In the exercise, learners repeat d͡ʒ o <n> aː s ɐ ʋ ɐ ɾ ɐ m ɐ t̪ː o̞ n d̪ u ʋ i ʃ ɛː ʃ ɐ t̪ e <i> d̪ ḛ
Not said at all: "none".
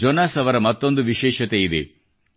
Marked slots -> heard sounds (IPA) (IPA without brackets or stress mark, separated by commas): n, i